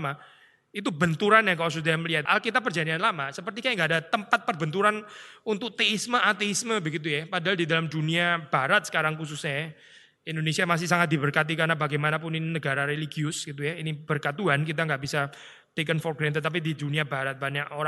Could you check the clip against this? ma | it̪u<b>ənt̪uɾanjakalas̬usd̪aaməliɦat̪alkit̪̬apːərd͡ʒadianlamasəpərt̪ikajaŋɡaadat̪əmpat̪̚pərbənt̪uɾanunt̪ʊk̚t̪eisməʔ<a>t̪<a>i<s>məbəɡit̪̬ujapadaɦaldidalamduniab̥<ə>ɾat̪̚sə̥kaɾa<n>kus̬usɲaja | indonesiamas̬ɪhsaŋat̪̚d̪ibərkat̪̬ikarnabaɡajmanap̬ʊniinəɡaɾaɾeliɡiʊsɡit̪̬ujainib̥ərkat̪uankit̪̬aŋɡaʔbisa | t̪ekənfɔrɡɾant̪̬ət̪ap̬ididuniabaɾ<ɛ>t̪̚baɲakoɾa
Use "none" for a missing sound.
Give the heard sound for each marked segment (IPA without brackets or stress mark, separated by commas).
b, a, e, s, a, ŋ, a